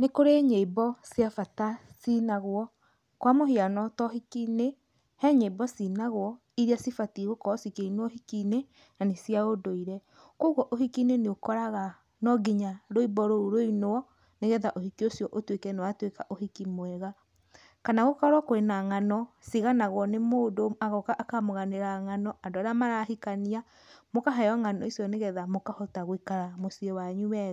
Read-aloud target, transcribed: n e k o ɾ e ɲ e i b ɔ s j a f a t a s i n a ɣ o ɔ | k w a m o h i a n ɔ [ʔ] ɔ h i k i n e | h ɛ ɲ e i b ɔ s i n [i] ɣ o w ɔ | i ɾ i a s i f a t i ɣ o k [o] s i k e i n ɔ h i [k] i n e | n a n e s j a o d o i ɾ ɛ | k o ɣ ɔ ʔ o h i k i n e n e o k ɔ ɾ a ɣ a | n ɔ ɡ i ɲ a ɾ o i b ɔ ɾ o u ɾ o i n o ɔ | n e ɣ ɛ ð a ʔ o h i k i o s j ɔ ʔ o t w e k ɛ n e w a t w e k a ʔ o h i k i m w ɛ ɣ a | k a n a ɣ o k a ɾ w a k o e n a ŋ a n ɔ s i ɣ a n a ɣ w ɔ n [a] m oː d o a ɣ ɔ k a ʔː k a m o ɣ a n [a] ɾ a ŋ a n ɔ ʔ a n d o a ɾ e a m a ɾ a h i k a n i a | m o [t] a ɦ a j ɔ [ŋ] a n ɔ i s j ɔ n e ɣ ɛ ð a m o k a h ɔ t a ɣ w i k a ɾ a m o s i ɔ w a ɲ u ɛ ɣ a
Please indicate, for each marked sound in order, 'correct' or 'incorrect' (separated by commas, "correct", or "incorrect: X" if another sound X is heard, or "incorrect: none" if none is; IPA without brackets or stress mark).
incorrect: t, incorrect: a, incorrect: ɔ, correct, incorrect: e, incorrect: e, incorrect: k, correct